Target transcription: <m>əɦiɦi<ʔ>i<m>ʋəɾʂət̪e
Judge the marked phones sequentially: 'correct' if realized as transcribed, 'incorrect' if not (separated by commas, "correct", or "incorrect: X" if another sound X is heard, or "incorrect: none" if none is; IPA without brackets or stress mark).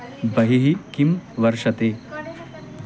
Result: incorrect: b, incorrect: k, correct